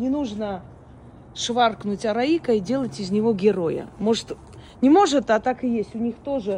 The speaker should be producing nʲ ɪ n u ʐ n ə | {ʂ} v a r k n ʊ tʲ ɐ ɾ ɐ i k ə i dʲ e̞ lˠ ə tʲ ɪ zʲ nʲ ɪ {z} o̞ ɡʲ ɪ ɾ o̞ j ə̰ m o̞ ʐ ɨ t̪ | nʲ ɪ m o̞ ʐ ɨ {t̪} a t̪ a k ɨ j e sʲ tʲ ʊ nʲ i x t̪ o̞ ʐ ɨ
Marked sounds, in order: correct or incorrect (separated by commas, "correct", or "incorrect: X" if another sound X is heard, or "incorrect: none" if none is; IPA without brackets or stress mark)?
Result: correct, incorrect: v, correct